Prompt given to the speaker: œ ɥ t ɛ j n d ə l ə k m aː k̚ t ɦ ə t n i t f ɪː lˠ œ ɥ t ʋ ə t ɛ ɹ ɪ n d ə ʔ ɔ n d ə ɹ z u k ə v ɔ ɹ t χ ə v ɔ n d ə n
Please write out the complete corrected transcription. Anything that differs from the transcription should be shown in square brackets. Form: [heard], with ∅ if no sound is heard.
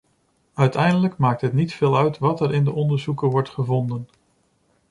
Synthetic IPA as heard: œ ɥ t ɛ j n d ə l ə k m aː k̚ t ɦ ə t n i t f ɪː lˠ œ ɥ t ʋ [ɑ] t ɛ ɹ ɪ n d ə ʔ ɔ n d ə ɹ z u k ə [ʋ] ɔ ɹ t χ ə v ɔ n d ə n